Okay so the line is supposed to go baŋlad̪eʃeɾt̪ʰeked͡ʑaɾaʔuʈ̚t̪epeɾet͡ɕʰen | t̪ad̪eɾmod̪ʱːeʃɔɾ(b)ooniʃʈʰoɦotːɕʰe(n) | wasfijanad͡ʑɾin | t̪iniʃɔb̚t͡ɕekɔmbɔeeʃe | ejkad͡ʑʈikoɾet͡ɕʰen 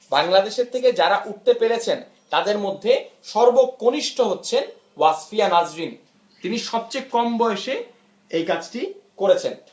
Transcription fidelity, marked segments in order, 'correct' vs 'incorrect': correct, correct

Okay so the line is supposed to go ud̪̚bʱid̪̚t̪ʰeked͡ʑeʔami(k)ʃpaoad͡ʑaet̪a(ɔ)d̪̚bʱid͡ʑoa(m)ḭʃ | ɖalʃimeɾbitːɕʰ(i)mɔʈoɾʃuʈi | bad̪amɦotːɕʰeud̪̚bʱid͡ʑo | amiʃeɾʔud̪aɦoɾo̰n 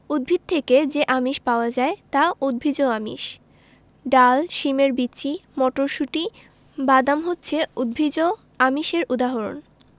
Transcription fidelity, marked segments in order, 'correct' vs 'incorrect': incorrect, incorrect, correct, correct

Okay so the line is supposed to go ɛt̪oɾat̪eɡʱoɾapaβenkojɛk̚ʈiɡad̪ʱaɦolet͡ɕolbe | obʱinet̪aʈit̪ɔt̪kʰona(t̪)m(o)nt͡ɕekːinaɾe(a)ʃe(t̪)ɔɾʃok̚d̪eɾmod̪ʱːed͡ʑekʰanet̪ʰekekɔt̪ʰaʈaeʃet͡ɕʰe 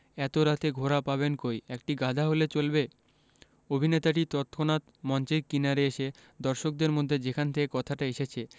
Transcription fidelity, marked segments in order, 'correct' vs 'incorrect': correct, incorrect, incorrect, incorrect

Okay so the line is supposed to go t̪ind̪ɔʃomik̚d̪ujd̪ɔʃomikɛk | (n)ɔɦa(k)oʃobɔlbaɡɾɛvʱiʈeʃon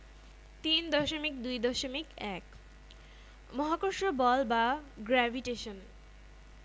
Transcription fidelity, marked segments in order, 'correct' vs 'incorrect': incorrect, correct

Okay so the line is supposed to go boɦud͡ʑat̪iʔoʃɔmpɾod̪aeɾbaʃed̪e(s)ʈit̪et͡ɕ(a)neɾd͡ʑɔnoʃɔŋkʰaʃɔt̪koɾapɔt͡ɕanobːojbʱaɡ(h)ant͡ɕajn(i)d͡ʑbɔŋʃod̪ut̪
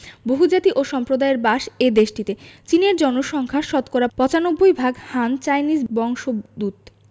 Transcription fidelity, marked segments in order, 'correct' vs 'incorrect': incorrect, incorrect, correct, correct

